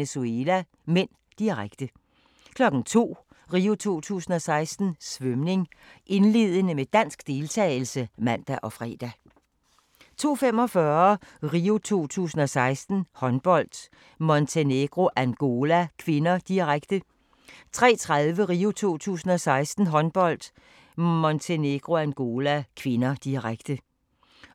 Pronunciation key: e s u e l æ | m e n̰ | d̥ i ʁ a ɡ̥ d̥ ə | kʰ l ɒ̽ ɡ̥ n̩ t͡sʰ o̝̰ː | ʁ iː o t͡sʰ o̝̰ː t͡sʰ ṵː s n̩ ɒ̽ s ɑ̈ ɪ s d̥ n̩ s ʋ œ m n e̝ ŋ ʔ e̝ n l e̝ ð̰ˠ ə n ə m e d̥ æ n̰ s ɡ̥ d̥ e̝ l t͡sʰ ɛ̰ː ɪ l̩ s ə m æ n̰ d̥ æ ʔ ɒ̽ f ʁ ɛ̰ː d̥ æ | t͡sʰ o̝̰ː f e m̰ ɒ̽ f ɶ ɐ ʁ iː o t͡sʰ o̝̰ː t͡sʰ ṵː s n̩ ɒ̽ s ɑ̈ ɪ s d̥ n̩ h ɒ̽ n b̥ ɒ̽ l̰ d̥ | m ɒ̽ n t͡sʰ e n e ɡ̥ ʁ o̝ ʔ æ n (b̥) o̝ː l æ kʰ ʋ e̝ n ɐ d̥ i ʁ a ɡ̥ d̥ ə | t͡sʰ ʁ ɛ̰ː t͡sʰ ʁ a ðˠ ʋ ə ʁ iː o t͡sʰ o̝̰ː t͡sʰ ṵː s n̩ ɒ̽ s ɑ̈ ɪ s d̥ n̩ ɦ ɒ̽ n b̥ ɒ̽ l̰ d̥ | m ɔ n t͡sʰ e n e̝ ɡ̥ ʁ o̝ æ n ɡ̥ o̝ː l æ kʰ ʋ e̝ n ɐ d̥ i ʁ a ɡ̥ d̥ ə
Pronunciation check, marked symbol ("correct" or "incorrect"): incorrect